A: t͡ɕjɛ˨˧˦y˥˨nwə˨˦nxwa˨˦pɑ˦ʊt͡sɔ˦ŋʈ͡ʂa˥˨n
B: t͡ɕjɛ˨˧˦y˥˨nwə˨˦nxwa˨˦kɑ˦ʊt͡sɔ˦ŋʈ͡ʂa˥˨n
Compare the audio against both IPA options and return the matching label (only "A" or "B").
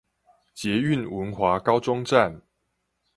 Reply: B